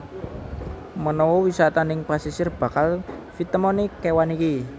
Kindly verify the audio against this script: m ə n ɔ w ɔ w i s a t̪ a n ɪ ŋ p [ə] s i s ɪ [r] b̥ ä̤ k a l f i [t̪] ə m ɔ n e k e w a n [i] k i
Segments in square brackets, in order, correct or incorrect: incorrect, correct, correct, correct

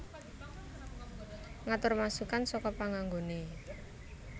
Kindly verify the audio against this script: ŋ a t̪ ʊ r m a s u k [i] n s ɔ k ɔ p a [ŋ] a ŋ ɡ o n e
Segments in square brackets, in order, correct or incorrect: incorrect, correct

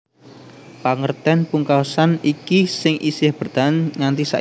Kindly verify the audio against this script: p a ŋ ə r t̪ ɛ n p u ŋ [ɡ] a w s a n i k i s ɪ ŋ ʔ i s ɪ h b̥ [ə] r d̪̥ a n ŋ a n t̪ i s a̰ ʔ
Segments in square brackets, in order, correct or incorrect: incorrect, correct

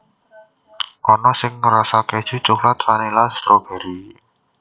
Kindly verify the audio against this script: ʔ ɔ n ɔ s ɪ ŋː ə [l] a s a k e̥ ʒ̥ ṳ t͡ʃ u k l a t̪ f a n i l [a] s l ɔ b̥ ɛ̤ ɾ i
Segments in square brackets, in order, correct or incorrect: incorrect, correct

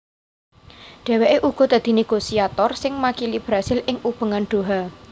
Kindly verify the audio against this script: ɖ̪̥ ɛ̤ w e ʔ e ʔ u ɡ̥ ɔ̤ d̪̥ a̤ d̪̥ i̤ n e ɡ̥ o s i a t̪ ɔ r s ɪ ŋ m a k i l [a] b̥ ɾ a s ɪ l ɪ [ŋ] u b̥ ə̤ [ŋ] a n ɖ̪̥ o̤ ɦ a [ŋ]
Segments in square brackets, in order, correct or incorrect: incorrect, correct, correct, incorrect

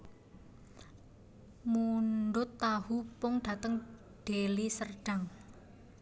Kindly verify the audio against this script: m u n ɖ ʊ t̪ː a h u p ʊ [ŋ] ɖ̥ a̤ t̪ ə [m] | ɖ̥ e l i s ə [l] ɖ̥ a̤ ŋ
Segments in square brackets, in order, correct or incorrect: correct, incorrect, incorrect

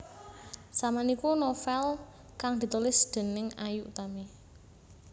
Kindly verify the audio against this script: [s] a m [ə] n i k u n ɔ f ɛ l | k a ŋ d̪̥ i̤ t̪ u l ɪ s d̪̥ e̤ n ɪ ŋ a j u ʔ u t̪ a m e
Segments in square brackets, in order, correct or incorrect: correct, incorrect

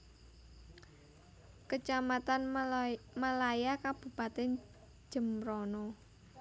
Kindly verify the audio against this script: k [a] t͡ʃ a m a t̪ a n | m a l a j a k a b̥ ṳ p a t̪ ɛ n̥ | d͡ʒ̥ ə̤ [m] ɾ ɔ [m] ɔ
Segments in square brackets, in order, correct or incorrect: incorrect, correct, incorrect

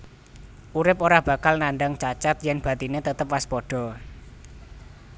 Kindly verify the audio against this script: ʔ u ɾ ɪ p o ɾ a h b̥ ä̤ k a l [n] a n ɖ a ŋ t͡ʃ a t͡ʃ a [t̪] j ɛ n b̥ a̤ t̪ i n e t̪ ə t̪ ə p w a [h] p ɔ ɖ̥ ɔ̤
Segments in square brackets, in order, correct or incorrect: correct, correct, incorrect

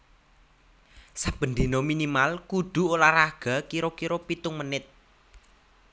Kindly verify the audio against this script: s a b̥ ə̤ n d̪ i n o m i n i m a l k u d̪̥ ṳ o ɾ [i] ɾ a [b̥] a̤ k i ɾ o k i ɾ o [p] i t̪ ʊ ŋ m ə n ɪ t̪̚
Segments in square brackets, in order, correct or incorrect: incorrect, incorrect, correct

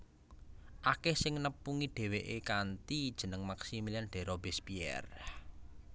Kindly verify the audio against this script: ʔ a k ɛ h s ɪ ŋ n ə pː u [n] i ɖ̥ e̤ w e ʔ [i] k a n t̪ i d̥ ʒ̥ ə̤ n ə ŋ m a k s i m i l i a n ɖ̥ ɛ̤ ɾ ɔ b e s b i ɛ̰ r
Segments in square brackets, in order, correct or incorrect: incorrect, incorrect

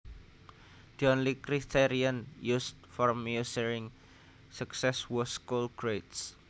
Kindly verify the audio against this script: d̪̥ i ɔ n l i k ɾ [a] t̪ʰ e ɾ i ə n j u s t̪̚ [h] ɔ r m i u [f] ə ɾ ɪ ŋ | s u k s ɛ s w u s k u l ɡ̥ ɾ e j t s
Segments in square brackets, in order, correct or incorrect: incorrect, incorrect, incorrect

